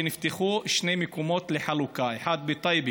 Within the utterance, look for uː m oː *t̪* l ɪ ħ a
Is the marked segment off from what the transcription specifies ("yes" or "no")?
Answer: no